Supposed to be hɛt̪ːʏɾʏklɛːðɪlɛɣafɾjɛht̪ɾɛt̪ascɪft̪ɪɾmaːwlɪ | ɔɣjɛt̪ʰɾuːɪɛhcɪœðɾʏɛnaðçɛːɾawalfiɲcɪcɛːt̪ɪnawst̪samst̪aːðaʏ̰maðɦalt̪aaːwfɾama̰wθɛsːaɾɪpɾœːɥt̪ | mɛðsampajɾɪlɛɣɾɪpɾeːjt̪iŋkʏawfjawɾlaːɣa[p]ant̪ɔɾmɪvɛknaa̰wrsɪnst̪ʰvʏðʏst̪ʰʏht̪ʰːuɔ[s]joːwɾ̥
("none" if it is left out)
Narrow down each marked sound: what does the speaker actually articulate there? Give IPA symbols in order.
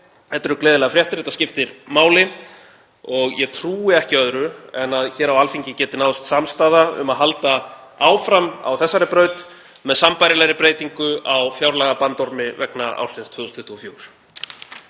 p, f

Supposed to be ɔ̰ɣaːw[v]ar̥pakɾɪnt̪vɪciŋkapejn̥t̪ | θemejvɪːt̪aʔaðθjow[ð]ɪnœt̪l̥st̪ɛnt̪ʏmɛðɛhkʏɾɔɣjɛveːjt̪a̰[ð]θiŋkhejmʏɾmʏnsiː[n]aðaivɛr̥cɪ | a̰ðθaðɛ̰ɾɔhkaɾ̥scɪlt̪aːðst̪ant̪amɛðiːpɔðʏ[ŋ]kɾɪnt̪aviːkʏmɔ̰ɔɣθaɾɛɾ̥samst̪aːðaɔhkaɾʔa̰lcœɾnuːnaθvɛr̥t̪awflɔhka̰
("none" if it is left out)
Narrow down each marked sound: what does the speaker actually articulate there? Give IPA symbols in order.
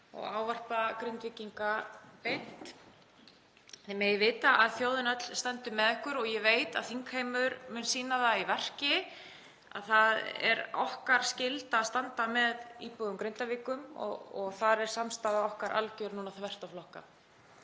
v, ð, ð, n, m

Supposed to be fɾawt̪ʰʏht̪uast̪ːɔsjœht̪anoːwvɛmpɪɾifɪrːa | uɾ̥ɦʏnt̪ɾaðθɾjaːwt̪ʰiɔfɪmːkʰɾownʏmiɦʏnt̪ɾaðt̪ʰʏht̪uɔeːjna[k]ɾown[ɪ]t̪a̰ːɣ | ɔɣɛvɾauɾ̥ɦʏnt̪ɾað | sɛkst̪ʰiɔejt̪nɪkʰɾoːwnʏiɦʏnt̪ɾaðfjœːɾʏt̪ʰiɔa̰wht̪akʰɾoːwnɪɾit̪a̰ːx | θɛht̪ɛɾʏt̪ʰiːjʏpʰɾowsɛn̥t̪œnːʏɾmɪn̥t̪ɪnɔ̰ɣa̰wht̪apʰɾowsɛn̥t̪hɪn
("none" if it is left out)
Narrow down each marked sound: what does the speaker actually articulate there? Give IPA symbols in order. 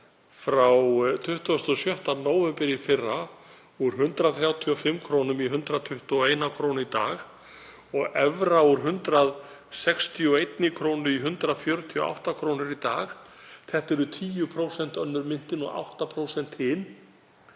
kʰ, i

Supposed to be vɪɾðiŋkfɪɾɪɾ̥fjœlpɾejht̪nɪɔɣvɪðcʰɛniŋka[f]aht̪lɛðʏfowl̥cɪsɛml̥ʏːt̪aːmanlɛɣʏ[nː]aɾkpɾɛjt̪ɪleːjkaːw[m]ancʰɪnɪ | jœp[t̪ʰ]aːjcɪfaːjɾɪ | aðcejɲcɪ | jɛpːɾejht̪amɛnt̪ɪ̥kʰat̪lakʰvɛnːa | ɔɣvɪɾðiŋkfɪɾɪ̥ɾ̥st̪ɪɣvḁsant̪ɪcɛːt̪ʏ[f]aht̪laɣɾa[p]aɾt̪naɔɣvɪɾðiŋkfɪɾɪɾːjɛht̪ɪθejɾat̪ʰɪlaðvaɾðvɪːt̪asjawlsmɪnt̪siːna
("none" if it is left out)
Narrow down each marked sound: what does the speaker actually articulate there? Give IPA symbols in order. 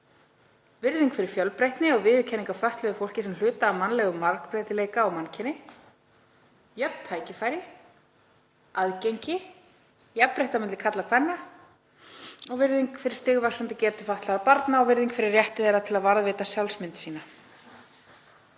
f, mː, m, t̪ʰ, f, p

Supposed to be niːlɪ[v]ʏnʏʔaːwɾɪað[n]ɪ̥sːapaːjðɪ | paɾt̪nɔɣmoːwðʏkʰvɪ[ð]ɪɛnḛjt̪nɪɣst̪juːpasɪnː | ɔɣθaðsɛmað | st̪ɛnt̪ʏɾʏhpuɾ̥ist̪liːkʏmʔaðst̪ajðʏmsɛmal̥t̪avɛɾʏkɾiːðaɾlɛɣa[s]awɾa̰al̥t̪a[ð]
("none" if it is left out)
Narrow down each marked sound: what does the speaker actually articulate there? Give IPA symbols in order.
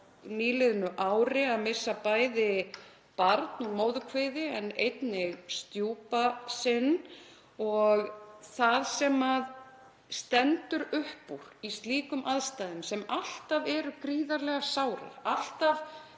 ð, m, ð, s, v

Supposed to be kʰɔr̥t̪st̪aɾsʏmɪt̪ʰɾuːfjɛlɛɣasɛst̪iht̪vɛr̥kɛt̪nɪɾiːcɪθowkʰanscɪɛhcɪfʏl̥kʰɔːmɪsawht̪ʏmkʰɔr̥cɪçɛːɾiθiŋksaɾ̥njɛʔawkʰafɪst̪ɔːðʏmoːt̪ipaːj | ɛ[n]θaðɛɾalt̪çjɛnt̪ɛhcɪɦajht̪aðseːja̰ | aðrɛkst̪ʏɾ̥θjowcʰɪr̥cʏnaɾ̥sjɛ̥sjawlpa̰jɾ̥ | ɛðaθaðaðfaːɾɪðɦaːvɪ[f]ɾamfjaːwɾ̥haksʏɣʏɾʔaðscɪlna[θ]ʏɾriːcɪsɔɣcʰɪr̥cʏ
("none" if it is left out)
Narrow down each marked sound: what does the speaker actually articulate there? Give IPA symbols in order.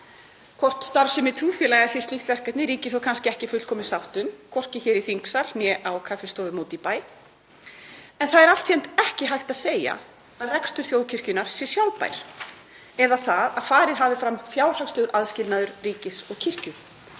n, f, ð

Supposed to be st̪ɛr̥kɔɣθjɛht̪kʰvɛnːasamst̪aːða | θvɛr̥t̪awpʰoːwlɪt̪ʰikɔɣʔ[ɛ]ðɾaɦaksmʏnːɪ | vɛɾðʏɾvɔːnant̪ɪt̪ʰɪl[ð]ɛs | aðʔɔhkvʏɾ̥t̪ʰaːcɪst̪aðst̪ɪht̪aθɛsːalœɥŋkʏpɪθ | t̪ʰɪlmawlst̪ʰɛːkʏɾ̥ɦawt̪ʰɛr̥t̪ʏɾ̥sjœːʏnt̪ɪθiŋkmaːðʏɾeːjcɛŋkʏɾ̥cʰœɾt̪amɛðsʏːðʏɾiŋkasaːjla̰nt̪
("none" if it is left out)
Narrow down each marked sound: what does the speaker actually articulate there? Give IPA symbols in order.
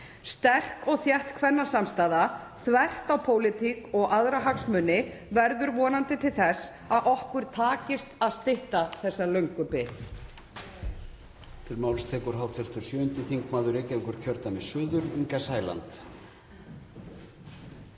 a, θ

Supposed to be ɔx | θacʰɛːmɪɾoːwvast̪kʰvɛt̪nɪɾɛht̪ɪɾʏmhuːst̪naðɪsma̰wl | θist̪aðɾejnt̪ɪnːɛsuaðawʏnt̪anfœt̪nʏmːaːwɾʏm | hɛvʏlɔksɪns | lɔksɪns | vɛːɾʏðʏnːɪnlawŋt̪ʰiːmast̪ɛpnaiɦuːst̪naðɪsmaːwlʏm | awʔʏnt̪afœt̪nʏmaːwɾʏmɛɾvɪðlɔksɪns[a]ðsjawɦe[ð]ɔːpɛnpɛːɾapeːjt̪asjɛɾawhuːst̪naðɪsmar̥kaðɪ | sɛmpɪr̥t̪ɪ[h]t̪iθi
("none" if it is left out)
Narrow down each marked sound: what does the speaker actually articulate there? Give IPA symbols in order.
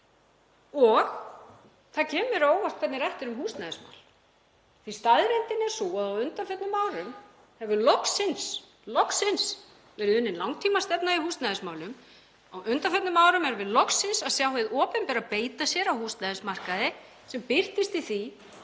a, ð, s

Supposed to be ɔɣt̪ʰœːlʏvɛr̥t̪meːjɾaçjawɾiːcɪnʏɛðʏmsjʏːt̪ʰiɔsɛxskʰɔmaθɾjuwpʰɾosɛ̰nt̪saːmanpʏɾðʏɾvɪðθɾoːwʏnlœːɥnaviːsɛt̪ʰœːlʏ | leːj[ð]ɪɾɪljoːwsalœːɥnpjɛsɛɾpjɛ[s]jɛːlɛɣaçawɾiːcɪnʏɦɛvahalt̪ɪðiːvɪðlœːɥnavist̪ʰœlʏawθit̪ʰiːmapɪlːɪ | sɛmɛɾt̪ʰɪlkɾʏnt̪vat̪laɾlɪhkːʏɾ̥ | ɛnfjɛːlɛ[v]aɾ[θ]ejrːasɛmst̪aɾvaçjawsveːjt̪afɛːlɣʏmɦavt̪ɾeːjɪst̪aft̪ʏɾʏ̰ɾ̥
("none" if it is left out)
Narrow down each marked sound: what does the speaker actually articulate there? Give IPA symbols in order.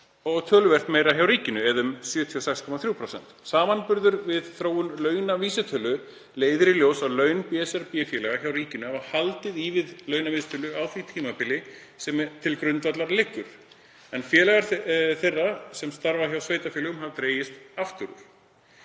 ð, f, ɣ, θ

